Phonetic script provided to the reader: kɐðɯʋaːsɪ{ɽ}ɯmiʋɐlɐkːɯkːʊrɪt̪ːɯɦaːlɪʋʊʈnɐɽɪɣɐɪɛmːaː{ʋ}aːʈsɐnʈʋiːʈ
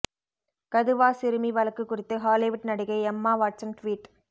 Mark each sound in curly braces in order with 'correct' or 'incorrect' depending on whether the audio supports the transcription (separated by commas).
incorrect, correct